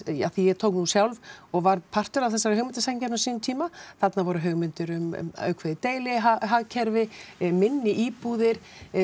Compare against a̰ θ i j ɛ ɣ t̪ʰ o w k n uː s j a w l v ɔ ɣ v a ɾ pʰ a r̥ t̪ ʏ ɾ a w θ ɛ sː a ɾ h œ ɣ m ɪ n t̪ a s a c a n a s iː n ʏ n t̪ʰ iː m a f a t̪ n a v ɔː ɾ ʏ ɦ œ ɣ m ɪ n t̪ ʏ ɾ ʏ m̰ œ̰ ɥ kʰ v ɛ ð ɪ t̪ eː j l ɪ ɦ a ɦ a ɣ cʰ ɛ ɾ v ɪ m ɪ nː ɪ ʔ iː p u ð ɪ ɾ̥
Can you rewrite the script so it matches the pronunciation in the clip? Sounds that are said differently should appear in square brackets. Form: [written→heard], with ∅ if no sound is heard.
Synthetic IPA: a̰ θ i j ɛ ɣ t̪ʰ o w k n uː s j a w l v ɔ ɣ v a ɾ pʰ a r̥ t̪ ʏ ɾ a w θ ɛ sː a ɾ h œ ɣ m ɪ n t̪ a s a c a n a s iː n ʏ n t̪ʰ iː m a [f→θ] a t̪ n a v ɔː ɾ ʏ ɦ œ ɣ m ɪ n t̪ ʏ ɾ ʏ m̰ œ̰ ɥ kʰ v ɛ ð ɪ t̪ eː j l ɪ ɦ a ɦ a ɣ cʰ ɛ ɾ v ɪ m ɪ nː ɪ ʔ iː p u ð ɪ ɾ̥